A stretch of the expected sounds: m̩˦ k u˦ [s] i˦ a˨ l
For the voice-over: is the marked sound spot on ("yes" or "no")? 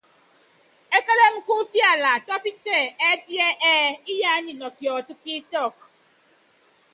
no